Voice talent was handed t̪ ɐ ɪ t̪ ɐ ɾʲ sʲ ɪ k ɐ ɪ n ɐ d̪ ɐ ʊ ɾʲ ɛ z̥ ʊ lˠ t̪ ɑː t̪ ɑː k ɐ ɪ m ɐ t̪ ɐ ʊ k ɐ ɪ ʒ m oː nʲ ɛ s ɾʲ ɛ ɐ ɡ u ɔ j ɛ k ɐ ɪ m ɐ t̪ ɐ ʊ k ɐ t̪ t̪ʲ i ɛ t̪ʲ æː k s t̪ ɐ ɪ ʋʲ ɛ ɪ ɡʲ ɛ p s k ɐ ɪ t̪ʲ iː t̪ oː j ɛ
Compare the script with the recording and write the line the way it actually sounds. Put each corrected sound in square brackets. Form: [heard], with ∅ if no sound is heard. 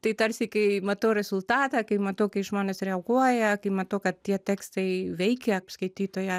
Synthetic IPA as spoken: t̪ ɐ ɪ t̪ ɐ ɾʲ sʲ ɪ k ɐ ɪ [m] ɐ [t̪] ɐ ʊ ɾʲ ɛ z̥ ʊ lˠ t̪ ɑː t̪ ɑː k ɐ ɪ m ɐ t̪ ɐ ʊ k ɐ ɪ ʒ m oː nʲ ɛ s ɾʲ ɛ ɐ ɡ u ɔ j ɛ k ɐ ɪ m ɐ t̪ ɐ ʊ k ɐ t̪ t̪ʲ i ɛ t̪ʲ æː k s t̪ ɐ ɪ ʋʲ ɛ ɪ [kʲ] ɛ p s k ɐ ɪ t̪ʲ iː t̪ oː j ɛ

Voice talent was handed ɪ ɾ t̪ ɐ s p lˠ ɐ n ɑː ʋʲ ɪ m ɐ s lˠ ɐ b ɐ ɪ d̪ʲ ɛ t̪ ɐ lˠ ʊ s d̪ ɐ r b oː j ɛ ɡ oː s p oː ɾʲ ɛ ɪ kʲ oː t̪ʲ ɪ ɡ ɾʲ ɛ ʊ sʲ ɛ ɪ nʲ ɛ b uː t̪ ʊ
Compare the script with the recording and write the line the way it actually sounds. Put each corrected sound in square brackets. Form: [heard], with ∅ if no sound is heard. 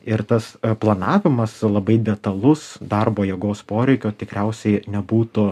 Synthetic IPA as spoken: ɪ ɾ t̪ ɐ s p lˠ ɐ n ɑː ʋʲ ɪ m ɐ s lˠ ɐ b ɐ ɪ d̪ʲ ɛ t̪ ɐ lˠ ʊ s d̪ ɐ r b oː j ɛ ɡ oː s p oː ɾʲ ɛ ɪ kʲ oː t̪ʲ ɪ [k] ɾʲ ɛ ʊ sʲ ɛ ɪ nʲ ɛ b uː t̪ ʊ

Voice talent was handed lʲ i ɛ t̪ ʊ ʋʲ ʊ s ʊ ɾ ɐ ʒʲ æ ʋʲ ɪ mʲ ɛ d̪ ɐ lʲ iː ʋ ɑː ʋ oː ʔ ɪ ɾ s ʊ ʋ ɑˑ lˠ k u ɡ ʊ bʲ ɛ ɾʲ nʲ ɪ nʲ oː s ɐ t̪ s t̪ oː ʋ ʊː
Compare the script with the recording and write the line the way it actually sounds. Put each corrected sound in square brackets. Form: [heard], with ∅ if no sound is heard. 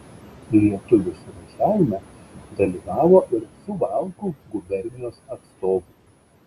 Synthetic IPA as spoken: lʲ i ɛ t̪ ʊ ʋʲ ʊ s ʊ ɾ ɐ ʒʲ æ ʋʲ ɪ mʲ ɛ d̪ ɐ lʲ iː ʋ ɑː ʋ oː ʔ ɪ ɾ s ʊ ʋ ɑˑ lˠ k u ɡ ʊ bʲ ɛ ɾʲ nʲ ɪ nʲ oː s ɐ t̪ s t̪ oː ʋ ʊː

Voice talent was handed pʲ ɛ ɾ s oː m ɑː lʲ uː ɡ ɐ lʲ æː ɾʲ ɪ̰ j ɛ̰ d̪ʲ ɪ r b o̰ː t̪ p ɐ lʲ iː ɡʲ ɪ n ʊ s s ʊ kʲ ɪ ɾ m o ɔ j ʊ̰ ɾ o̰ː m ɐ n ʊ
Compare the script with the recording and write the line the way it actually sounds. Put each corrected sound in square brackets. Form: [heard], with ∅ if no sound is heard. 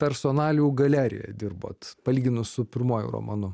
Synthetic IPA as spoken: pʲ ɛ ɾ s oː [n] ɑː lʲ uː ɡ ɐ lʲ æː ɾʲ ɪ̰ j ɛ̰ d̪ʲ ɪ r b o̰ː t̪ p ɐ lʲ iː ɡʲ ɪ n ʊ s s ʊ [pʲ] ɪ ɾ m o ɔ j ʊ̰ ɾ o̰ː m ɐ n ʊ

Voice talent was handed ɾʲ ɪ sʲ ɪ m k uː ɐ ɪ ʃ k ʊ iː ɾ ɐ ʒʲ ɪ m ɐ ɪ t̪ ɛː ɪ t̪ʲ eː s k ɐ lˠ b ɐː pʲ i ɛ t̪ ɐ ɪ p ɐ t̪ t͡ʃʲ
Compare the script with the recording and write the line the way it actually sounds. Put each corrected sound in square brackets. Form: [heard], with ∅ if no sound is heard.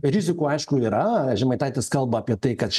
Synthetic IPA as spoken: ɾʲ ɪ [zʲ] ɪ [∅] k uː ɐ ɪ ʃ k ʊ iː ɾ ɐ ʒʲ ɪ m ɐ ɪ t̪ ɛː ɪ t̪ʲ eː s k ɐ lˠ b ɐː pʲ i ɛ t̪ ɐ ɪ [k] ɐ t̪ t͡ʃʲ

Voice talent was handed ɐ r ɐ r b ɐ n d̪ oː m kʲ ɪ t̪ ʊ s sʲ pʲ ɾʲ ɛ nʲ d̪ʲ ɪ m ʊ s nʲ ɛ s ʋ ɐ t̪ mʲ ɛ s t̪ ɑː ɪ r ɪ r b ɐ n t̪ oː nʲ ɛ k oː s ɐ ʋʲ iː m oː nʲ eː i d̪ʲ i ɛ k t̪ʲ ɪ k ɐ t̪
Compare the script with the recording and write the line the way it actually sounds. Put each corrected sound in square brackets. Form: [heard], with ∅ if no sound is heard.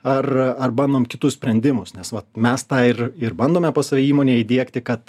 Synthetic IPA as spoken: ɐ r ɐ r b ɐ n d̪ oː m kʲ ɪ t̪ ʊ s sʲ pʲ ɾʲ ɛ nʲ d̪ʲ ɪ m ʊ s nʲ ɛ s ʋ ɐ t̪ mʲ ɛ s t̪ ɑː ɪ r ɪ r b ɐ n [d̪] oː [mʲ] ɛ [p] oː s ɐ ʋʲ iː m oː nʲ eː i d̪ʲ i ɛ k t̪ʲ ɪ k ɐ t̪

